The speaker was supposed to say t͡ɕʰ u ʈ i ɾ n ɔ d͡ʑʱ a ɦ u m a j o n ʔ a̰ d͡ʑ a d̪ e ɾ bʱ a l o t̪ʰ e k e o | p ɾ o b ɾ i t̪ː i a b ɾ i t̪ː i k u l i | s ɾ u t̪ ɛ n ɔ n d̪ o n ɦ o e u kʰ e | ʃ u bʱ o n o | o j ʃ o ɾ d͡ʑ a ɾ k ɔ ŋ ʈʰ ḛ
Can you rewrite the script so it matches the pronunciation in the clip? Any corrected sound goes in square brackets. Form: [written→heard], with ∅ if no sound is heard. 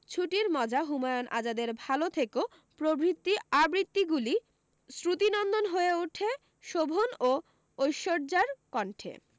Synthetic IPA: t͡ɕʰ u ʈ i ɾ [n→m] ɔ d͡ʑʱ a ɦ u m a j o n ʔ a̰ d͡ʑ a d̪ e ɾ bʱ a l o t̪ʰ e k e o | p ɾ o b ɾ i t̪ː i a b ɾ i t̪ː i [k→ɡ] u l i | s ɾ u t̪ [ɛ→i] n ɔ n d̪ o n ɦ o e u [kʰ→ʈʰ] e | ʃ [u→o] bʱ o n o | o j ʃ o ɾ d͡ʑ a ɾ k ɔ [ŋ→ɳ] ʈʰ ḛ

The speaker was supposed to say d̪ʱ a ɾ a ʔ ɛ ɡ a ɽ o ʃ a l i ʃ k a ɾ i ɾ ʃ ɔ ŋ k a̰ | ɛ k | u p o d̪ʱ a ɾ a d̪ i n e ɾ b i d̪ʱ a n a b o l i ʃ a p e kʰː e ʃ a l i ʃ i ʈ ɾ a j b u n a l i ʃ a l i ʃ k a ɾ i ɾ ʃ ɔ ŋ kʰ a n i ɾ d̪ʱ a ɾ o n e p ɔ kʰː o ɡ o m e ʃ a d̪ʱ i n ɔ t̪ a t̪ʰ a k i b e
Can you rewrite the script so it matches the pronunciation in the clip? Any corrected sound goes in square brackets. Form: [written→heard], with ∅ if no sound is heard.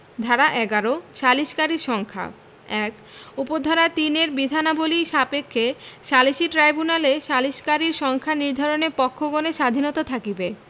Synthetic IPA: d̪ʱ a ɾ a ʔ ɛ ɡ a [ɽ→ɾ] o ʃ a l i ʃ k a ɾ i ɾ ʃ ɔ ŋ [k→kʰ] a̰ | ɛ k | u p o d̪ʱ a ɾ a [d̪→t̪] i n e ɾ b i d̪ʱ a n a b o l i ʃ a p e kʰː e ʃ a l i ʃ i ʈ ɾ a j b u n a l [i→e] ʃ a l i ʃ k a ɾ i ɾ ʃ ɔ ŋ kʰ a n i ɾ d̪ʱ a ɾ o n e p ɔ kʰː o ɡ o [m→n] e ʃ a d̪ʱ i n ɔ t̪ a t̪ʰ a k i b e

